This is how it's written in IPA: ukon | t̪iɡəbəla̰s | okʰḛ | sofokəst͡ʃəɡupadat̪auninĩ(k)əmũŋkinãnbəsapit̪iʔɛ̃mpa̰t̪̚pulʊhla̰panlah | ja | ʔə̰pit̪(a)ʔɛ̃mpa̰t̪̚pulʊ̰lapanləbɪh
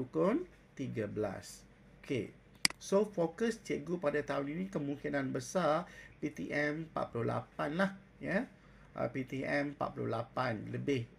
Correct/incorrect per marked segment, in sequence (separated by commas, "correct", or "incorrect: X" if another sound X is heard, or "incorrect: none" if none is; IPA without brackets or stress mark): correct, incorrect: i